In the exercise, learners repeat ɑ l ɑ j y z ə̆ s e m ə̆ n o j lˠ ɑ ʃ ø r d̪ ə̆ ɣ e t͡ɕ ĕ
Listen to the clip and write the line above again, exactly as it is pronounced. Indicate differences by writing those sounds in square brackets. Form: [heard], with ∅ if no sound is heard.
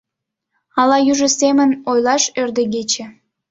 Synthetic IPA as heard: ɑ l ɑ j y [ʒ] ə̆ s e m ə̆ n o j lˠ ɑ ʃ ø r d̪ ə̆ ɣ e t͡ɕ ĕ